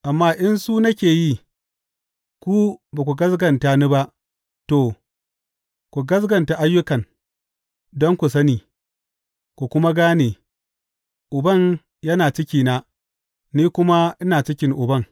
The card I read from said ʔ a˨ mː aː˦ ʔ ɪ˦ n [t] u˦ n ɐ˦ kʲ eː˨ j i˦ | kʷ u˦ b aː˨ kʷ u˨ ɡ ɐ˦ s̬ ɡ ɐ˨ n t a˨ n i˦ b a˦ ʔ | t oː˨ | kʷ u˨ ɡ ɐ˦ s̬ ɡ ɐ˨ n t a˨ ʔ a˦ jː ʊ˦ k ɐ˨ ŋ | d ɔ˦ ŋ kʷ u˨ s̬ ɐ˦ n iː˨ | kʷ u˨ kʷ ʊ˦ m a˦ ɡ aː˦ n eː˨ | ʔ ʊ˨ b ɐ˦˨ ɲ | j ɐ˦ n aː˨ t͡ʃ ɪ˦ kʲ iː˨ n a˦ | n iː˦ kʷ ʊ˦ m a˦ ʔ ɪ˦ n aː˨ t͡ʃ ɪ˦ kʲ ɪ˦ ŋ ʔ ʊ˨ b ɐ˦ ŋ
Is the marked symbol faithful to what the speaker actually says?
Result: no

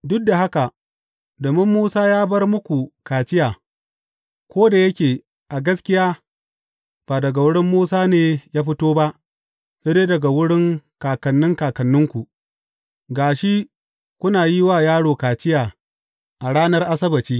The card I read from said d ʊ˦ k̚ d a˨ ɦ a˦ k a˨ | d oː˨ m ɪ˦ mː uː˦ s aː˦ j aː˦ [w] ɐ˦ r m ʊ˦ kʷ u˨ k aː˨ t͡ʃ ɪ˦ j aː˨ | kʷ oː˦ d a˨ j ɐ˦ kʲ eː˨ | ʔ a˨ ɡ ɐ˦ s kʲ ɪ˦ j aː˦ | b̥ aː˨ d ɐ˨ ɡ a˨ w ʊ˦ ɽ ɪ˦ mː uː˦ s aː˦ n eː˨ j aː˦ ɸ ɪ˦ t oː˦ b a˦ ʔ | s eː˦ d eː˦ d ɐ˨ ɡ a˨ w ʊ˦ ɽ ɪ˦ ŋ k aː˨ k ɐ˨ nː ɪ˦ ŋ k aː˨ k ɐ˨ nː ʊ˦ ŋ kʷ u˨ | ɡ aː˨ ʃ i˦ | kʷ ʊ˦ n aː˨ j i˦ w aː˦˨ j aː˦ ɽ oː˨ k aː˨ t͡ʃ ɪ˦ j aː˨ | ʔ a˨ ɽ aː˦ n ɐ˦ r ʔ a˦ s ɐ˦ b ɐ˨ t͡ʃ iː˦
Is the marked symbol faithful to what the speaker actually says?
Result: no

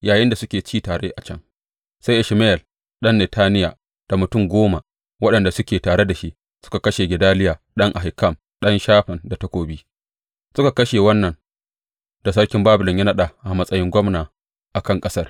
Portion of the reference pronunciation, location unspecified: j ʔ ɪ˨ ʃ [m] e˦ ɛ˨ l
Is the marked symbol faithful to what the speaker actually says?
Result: yes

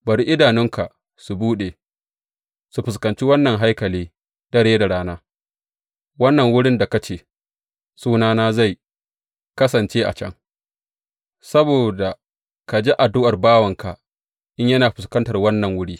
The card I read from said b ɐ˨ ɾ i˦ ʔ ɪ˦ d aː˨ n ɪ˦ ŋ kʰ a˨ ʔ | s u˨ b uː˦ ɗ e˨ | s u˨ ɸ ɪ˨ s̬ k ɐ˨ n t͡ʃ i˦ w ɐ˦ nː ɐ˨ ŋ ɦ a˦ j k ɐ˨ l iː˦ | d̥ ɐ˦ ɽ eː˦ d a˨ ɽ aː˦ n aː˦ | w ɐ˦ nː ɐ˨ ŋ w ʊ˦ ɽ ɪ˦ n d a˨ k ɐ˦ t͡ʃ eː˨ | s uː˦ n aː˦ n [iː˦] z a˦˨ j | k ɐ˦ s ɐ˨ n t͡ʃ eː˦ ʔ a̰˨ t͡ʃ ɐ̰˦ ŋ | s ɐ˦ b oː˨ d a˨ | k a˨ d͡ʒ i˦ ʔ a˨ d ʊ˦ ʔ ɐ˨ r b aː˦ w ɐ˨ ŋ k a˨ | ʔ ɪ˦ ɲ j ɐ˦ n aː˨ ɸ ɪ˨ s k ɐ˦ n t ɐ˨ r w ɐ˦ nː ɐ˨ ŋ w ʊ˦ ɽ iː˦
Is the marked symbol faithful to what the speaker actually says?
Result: no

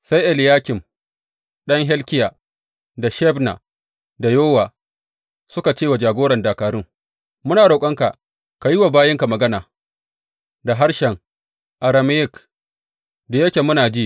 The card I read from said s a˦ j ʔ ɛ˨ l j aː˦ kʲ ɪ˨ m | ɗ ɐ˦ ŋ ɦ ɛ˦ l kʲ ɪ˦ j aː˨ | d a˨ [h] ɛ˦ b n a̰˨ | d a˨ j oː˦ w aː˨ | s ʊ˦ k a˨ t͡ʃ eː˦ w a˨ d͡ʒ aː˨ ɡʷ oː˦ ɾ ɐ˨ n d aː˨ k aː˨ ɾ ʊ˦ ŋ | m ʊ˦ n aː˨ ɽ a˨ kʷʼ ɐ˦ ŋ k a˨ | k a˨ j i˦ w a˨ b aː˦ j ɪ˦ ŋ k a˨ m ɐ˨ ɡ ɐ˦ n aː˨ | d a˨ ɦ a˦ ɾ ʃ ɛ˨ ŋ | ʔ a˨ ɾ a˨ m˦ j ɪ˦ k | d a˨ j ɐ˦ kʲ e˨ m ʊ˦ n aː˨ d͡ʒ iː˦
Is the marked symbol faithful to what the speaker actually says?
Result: no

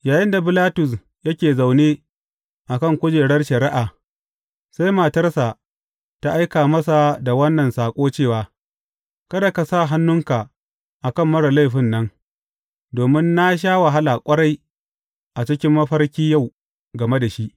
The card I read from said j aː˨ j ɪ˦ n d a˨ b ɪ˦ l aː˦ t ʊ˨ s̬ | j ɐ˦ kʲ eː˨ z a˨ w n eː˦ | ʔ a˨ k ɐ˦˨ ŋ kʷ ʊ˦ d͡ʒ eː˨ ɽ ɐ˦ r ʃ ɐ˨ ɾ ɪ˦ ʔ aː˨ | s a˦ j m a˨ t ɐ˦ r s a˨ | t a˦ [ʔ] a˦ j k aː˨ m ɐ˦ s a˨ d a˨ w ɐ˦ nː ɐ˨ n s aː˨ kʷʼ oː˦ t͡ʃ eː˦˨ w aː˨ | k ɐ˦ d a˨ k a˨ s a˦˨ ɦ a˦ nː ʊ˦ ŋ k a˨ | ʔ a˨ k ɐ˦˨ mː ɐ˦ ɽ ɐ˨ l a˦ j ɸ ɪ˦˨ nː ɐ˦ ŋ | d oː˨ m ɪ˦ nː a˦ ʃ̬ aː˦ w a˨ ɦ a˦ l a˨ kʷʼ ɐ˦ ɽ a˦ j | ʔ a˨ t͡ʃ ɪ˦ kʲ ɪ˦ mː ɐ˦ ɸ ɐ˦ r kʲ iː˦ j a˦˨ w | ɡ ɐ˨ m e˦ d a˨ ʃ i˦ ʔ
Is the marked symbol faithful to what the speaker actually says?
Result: yes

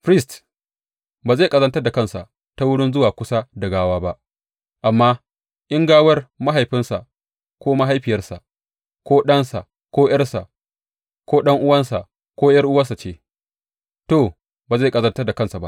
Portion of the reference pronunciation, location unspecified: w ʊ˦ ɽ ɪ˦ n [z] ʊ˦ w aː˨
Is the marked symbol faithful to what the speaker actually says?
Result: yes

